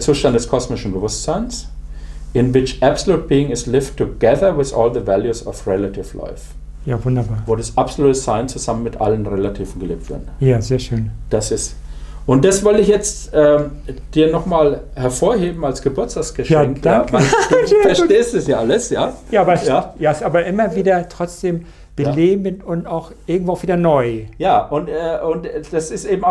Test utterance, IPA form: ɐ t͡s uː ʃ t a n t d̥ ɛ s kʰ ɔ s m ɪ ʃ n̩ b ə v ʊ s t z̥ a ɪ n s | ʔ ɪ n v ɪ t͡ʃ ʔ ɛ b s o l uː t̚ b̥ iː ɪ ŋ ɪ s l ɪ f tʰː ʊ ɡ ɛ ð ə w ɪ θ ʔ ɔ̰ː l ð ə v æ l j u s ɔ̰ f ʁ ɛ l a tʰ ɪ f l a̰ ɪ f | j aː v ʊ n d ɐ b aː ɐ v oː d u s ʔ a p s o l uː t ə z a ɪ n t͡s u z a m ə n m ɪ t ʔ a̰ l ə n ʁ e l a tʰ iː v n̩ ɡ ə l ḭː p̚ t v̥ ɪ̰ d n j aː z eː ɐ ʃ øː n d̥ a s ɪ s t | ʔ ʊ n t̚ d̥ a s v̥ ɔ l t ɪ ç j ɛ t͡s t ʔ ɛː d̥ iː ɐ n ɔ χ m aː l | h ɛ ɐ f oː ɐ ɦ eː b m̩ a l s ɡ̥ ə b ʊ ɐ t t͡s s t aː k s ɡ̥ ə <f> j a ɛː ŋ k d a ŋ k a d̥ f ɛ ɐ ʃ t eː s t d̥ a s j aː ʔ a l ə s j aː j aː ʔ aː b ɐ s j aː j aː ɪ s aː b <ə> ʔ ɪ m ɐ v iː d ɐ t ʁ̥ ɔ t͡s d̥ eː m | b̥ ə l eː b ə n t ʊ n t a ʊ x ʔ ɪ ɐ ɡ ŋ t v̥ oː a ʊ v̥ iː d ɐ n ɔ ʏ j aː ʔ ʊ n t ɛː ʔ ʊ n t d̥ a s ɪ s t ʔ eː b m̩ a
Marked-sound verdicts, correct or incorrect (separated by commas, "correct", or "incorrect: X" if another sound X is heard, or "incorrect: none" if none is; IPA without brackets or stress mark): incorrect: ʃ, incorrect: ɐ